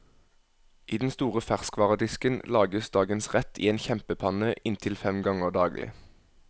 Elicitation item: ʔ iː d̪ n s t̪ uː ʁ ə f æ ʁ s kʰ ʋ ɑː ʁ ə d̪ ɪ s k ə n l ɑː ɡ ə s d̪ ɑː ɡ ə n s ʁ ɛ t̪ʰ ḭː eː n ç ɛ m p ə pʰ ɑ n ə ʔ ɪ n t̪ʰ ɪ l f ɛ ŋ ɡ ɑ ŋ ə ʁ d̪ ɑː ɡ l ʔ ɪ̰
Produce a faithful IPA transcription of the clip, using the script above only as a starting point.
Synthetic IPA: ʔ iː d̪ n s t̪ uː ʁ ə f æ ʁ s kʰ ʋ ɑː ʁ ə d̪ ɪ s k ə n l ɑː ɡ ə s d̪ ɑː ɡ ə n s ʁ ɛ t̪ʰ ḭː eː n ç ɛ m p ə pʰ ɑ n ə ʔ ɪ n t̪ʰ ɪ l f ɛ m ɡ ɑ ŋ ə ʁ d̪ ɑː ɡ l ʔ ɪ̰